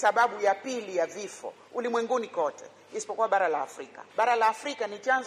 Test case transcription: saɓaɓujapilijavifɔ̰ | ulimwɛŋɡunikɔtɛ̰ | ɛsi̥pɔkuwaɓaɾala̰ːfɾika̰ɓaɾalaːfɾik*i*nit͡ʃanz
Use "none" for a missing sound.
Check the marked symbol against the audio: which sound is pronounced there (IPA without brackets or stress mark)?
a